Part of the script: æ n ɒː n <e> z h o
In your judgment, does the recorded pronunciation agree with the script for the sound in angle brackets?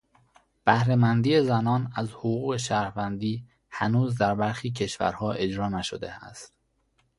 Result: no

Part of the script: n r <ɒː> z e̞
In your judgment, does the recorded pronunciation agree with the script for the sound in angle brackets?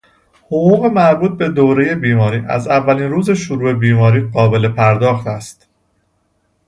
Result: no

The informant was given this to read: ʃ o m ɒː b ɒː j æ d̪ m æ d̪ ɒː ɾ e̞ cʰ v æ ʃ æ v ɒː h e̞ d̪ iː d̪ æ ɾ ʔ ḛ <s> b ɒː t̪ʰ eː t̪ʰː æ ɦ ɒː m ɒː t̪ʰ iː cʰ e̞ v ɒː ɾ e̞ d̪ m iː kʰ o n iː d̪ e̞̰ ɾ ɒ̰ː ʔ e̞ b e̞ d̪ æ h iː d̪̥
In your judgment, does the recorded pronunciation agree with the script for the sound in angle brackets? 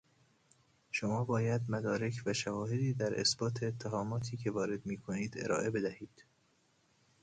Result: yes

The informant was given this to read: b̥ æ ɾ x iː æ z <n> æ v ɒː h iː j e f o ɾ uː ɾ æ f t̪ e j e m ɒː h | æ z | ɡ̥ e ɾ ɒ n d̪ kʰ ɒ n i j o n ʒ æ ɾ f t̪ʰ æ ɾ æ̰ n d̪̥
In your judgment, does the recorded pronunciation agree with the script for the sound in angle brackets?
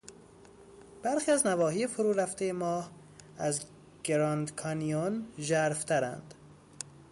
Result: yes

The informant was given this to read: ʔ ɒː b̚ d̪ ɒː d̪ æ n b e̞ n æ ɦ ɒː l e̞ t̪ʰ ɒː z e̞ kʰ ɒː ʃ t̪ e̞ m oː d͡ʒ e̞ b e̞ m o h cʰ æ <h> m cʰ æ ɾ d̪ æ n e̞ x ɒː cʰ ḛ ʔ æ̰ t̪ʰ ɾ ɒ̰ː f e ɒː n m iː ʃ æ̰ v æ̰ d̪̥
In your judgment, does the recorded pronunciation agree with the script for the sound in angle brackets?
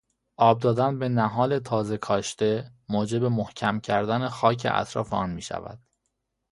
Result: no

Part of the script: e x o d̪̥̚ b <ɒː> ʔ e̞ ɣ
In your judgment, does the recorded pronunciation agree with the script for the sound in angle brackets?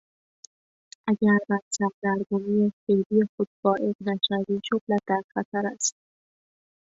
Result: yes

